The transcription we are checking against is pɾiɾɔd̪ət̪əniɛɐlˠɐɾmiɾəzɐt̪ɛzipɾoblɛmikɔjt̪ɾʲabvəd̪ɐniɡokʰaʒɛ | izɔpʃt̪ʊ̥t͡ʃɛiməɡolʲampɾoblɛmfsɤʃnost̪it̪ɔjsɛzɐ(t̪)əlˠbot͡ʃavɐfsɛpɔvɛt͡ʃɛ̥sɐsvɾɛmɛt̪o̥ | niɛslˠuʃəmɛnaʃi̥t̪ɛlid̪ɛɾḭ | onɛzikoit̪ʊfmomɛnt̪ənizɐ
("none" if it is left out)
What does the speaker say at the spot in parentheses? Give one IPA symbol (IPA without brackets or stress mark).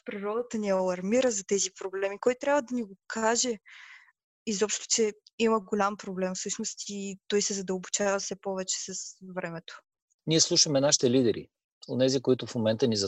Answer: d̪